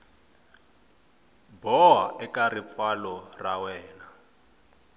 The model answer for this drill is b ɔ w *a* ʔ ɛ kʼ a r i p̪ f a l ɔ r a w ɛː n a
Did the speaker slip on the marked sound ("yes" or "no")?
no